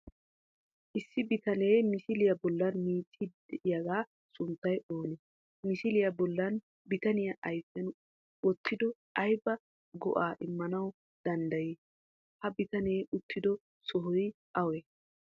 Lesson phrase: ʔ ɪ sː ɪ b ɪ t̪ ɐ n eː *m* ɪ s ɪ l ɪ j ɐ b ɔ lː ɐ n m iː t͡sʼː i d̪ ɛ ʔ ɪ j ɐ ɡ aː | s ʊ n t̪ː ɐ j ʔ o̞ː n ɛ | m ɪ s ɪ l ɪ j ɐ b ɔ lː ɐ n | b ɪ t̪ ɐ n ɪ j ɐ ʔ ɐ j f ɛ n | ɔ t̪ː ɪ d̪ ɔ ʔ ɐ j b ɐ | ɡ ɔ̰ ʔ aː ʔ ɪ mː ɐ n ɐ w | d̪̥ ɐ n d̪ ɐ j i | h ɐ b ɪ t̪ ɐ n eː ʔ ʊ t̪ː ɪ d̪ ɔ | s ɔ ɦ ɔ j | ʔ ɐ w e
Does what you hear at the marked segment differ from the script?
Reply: no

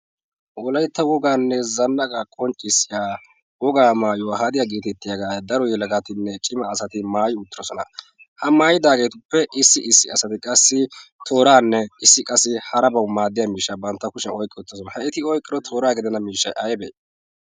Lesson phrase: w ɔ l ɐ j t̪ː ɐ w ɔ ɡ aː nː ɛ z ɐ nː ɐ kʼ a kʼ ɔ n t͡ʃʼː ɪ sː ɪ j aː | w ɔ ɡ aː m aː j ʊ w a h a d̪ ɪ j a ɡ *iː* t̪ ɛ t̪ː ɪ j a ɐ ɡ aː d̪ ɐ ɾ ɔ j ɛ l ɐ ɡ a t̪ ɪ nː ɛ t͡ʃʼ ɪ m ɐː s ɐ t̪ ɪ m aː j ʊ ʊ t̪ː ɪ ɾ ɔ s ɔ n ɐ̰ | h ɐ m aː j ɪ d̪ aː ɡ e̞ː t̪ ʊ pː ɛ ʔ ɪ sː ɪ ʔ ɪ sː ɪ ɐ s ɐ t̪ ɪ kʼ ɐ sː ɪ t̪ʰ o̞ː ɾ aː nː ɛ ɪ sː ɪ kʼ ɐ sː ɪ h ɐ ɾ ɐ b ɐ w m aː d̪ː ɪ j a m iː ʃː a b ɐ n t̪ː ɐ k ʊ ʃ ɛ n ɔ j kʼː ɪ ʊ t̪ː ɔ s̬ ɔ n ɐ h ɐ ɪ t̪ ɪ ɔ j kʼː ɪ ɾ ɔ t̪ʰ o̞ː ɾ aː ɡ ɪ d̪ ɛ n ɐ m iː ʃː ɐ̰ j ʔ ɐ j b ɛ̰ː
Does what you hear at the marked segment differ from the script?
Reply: no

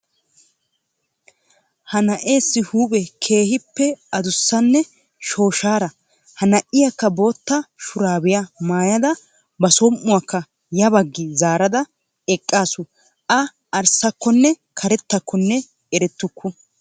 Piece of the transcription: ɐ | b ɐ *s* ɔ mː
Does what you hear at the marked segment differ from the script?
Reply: no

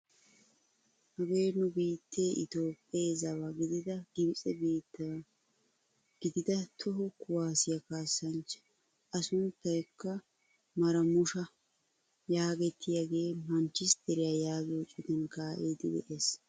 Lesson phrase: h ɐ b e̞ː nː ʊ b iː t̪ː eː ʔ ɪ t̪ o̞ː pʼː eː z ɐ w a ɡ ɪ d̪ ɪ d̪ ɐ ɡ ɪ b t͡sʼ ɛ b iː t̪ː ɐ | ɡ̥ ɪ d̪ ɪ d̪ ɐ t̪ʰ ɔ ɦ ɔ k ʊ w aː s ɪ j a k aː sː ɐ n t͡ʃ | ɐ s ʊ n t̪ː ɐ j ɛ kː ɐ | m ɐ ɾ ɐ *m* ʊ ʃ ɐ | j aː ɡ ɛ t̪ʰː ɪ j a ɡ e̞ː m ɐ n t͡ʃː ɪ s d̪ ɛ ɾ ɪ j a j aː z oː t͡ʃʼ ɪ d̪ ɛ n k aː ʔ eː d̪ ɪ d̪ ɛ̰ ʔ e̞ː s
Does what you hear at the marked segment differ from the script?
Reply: no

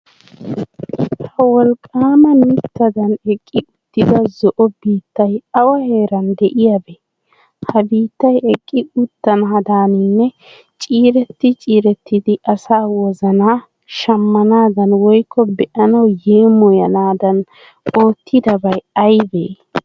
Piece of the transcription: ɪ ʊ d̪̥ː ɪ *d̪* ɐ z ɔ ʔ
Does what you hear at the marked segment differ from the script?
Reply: no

